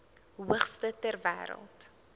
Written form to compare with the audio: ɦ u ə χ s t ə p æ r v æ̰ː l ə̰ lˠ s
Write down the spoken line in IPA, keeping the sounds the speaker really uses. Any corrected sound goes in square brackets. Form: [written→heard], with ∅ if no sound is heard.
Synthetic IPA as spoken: ɦ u ə χ s t ə [p→t] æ r v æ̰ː [l→ɾ] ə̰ lˠ [s→t]